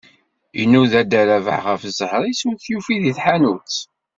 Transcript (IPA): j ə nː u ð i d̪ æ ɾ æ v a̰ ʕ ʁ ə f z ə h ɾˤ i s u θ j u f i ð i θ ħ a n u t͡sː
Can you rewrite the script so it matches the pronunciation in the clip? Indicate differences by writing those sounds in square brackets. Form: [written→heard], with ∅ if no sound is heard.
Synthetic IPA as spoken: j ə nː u ð [i→æ] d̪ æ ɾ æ v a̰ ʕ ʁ ə f z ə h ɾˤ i s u θ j u f i ð i θ ħ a n u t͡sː